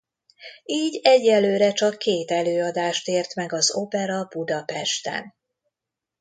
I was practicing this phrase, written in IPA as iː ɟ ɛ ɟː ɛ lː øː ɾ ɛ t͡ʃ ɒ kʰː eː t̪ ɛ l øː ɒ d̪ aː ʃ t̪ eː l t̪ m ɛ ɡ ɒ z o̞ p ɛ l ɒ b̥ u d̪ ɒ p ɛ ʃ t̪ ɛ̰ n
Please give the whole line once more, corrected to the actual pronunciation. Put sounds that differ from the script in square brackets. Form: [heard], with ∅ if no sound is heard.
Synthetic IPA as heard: iː ɟ ɛ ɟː ɛ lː øː ɾ ɛ t͡ʃ ɒ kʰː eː t̪ ɛ l øː ɒ d̪ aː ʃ t̪ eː [r] t̪ m ɛ ɡ ɒ z o̞ p ɛ [ɾ] ɒ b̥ u d̪ ɒ p ɛ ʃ t̪ ɛ̰ n